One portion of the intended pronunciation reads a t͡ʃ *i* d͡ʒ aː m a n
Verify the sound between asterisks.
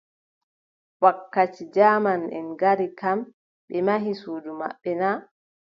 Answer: correct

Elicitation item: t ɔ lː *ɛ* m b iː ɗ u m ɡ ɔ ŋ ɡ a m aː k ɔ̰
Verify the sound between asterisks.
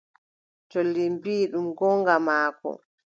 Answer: incorrect: i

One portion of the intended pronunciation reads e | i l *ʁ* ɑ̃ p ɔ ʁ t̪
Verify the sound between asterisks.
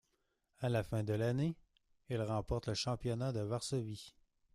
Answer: correct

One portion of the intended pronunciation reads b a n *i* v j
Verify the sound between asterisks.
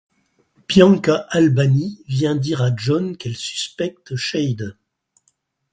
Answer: correct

